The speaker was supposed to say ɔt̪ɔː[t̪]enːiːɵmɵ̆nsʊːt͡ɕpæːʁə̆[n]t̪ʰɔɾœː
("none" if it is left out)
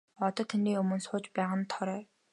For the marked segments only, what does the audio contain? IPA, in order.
t̪ʰ, n

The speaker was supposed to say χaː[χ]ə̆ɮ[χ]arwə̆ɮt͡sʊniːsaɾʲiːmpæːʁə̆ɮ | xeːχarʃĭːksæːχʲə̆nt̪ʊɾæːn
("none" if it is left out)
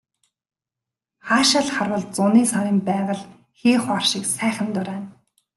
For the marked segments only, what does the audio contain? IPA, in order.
ʃ, χ

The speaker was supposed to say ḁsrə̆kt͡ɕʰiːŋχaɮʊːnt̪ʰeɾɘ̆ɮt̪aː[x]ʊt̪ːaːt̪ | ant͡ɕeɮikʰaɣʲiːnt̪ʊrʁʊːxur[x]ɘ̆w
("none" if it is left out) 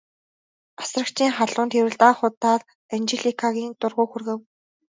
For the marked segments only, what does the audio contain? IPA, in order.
χ, ɣ

